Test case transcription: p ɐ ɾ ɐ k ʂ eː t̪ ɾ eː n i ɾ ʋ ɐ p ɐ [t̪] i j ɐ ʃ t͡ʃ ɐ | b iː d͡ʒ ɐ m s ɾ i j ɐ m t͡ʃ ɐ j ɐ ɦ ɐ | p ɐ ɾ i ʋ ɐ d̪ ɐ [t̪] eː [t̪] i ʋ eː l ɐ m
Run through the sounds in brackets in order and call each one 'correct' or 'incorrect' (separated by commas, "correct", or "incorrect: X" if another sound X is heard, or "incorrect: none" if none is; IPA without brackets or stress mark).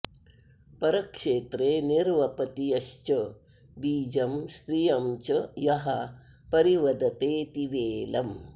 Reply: correct, correct, correct